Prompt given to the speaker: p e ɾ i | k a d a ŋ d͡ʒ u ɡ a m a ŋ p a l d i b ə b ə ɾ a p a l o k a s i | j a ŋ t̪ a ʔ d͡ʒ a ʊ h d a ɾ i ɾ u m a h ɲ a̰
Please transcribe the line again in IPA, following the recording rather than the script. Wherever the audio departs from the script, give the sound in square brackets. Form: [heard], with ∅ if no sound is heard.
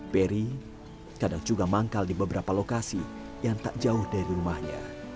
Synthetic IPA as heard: p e ɾ i | k a d a ŋ d͡ʒ u ɡ a m a ŋ [k] a l d i b ə b ə ɾ a p a l o k a s i | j a ŋ t̪ a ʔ d͡ʒ a ʊ h d a ɾ i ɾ u m a h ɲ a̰